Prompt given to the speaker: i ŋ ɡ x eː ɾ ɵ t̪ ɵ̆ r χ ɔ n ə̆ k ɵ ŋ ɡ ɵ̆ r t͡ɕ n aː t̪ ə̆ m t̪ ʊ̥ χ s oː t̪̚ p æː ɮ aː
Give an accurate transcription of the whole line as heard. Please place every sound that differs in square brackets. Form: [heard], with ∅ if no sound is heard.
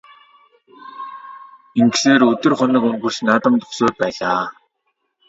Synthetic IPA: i ŋ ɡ [s] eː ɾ ɵ t̪ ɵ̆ r χ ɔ n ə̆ k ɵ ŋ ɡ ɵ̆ r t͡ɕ n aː t̪ ə̆ m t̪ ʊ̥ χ s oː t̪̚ p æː ɮ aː